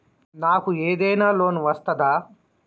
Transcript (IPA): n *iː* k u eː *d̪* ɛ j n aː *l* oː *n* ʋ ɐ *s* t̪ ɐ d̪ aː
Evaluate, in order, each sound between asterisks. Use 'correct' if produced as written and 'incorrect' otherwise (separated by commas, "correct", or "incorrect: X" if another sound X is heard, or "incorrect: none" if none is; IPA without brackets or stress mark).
incorrect: aː, correct, correct, correct, correct